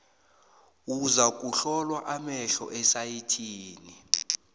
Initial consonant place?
alveolar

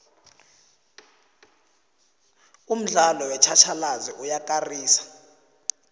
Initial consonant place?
labial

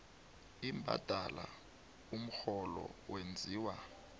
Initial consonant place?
labial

